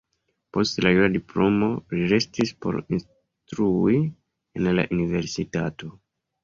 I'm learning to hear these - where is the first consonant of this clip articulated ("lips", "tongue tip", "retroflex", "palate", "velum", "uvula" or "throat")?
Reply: lips